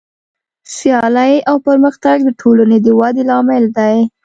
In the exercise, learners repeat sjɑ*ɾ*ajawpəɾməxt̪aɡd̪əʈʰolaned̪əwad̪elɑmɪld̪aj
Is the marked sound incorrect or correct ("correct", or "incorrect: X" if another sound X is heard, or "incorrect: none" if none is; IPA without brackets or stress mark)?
incorrect: l